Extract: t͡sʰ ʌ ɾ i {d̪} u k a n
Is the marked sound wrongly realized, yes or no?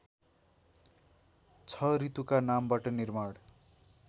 yes